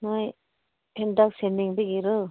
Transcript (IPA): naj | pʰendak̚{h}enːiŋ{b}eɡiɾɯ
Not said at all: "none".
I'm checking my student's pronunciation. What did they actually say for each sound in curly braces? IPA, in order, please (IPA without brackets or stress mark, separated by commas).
s, b